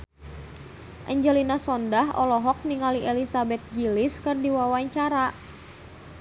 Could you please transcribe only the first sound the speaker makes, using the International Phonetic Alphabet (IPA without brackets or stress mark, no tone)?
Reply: ʔ